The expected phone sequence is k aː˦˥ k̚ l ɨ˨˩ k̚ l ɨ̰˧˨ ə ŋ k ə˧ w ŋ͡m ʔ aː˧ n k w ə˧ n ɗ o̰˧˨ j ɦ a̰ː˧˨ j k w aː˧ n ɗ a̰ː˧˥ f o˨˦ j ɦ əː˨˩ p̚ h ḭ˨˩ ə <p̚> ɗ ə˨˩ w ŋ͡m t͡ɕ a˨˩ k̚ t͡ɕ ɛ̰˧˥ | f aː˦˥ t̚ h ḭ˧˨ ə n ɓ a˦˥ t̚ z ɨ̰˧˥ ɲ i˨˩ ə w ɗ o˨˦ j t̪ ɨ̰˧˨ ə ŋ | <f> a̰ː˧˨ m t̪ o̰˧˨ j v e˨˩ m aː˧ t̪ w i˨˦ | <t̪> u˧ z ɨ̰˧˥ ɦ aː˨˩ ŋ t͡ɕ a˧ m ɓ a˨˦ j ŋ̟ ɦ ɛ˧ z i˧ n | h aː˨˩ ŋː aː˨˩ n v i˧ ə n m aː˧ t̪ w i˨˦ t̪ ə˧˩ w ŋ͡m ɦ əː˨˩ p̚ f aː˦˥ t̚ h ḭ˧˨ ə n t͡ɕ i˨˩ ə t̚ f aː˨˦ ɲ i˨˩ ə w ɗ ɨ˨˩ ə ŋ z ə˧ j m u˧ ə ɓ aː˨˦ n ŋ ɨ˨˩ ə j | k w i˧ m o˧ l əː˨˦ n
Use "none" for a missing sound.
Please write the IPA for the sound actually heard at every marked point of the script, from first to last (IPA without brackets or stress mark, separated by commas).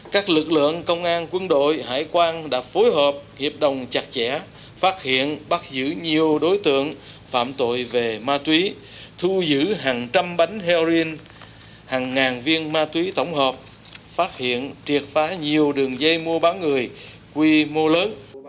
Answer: p̚, f, t̪ʰ